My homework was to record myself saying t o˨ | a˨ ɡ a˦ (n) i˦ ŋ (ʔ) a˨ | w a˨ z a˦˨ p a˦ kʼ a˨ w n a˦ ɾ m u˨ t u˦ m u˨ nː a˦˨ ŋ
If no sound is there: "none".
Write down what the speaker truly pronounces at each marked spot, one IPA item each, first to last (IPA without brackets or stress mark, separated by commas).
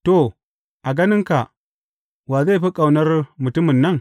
n, k